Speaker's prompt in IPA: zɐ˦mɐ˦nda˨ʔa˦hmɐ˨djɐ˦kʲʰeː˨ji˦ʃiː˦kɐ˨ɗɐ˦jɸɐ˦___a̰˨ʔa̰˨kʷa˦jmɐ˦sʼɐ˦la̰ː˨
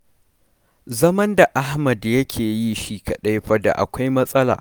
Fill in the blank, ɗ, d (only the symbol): d